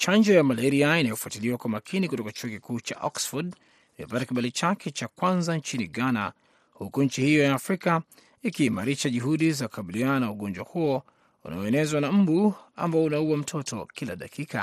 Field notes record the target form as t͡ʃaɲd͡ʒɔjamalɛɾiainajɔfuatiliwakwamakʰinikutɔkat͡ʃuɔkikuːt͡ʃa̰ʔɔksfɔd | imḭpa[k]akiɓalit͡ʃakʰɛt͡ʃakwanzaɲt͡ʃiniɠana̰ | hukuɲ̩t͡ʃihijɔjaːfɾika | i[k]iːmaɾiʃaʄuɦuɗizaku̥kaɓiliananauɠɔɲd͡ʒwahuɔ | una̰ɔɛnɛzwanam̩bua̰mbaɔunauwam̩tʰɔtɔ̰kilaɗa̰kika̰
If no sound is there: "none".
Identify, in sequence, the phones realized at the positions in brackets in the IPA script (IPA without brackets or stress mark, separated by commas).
t, k